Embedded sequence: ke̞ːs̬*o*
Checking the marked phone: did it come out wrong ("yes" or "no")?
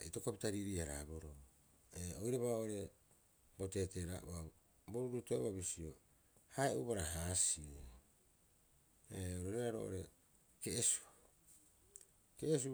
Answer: yes